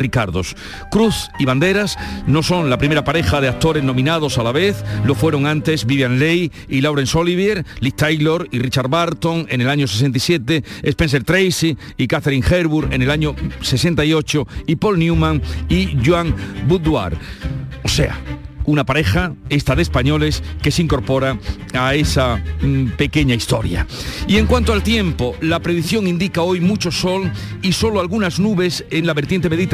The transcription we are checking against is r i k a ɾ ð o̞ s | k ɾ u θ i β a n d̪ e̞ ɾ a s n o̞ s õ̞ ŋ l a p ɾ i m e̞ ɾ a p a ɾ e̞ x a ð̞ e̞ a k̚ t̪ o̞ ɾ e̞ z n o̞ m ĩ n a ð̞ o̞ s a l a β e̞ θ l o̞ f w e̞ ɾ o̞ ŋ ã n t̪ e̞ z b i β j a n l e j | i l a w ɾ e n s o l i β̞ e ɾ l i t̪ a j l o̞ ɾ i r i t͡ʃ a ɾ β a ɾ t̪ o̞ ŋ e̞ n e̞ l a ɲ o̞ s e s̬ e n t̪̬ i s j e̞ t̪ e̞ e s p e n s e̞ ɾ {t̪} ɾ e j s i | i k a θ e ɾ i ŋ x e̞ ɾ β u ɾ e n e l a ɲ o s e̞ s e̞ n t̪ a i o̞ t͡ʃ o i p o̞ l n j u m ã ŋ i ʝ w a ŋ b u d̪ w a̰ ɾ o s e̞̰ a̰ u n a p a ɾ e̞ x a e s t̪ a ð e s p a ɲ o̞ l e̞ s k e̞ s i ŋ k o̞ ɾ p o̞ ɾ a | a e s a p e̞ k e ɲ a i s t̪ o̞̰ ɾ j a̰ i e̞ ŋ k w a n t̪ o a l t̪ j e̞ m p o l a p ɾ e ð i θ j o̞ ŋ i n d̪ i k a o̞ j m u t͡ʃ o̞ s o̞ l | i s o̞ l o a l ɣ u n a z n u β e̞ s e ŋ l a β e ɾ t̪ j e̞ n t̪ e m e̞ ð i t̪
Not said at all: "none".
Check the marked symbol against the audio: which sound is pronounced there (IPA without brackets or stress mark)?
t̪